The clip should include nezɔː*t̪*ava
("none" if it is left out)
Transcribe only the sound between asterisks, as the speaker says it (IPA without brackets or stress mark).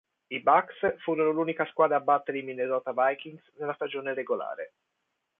t̪